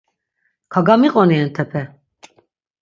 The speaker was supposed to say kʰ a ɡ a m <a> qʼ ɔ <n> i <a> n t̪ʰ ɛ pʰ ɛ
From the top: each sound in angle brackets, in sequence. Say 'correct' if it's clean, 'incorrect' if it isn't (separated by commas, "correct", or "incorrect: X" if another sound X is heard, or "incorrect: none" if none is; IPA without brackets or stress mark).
incorrect: i, correct, incorrect: ɛ